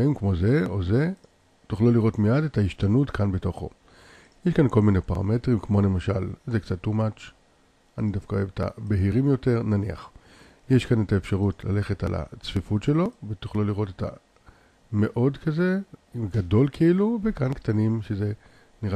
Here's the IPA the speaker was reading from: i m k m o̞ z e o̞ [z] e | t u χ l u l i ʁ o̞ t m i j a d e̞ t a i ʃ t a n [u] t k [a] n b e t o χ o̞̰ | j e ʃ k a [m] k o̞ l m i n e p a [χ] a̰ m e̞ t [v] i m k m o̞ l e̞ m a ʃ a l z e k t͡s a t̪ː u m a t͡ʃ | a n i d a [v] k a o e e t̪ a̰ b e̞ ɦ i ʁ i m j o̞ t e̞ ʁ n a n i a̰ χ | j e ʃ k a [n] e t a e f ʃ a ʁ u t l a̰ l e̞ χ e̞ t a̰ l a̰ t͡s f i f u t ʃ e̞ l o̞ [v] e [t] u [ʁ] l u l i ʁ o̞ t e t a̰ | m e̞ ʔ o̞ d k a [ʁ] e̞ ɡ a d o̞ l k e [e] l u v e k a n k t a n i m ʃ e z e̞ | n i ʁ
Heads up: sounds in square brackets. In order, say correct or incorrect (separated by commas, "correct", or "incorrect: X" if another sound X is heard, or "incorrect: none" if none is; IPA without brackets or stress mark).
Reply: correct, correct, correct, incorrect: n, incorrect: ʁ, incorrect: ʁ, incorrect: f, correct, correct, correct, incorrect: χ, incorrect: z, incorrect: i